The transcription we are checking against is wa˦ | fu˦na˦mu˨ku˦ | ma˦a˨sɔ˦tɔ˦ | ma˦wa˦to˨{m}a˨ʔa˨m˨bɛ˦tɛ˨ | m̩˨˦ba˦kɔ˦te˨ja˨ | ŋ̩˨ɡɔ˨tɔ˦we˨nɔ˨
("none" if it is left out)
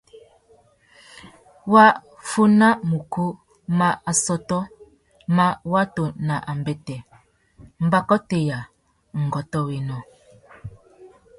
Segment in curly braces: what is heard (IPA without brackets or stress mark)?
n